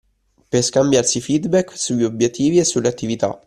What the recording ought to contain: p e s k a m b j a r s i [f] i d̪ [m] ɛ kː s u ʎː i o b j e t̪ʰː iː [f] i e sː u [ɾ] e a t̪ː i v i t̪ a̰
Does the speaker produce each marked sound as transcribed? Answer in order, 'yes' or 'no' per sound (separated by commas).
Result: yes, no, no, no